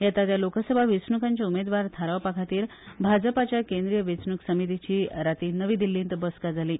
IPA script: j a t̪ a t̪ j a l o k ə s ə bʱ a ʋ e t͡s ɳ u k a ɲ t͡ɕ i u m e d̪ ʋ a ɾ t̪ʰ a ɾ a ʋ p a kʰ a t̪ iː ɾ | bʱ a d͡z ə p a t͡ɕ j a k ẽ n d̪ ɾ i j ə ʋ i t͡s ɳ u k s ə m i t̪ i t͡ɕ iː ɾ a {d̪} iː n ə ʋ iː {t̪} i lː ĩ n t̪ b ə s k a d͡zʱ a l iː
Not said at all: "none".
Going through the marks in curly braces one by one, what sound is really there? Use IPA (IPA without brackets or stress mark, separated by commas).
t̪, d̪